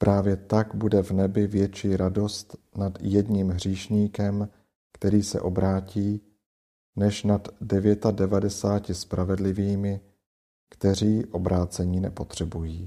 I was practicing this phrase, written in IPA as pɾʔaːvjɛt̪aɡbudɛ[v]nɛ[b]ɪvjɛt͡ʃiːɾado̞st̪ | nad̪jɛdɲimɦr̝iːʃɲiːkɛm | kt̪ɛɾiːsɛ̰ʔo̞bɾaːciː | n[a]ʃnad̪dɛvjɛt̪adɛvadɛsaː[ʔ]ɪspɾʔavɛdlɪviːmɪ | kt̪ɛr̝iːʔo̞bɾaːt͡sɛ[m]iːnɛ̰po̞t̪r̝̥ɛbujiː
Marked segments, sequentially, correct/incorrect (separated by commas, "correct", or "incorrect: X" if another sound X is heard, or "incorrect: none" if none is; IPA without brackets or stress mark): correct, correct, incorrect: ɛ, incorrect: c, incorrect: ɲ